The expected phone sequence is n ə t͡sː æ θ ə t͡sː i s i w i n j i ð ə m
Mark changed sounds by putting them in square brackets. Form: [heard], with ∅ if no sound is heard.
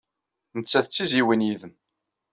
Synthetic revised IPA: n ə t͡sː æ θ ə t͡sː i [z] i w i n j i ð ə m